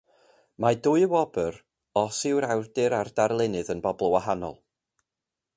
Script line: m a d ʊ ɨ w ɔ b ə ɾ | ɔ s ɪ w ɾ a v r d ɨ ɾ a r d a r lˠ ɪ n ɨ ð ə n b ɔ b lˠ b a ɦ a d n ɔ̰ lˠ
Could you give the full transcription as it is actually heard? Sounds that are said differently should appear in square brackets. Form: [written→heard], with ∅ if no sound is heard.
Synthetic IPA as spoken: m a d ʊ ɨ w ɔ b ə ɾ | ɔ s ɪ w ɾ a [v→w] r d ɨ ɾ a r d a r lˠ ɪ n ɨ ð ə n b ɔ b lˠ [b→w] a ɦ a [d→∅] n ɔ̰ lˠ